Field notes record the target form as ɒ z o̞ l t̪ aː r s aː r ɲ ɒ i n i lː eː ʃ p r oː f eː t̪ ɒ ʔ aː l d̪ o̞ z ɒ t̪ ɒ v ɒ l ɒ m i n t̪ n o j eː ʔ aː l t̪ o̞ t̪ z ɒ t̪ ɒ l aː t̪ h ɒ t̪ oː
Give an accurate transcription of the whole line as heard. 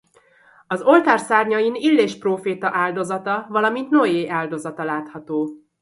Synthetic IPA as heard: ɒ z o̞ l t̪ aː r s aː r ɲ ɒ i n i lː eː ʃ p r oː f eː t̪ ɒ ʔ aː l d̪ o̞ z ɒ t̪ ɒ v ɒ l ɒ m i n t̪ n o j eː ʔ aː l d̪ o̞ z ɒ t̪ ɒ l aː t̪ h ɒ t̪ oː